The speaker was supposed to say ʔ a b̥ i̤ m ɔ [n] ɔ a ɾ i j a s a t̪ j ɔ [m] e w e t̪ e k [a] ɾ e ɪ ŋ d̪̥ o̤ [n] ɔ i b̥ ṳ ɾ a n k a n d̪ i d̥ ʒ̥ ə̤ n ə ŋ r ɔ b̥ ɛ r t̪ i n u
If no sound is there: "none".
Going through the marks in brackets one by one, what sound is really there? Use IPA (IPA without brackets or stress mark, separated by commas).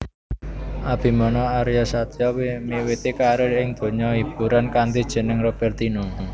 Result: n, m, a, ɲ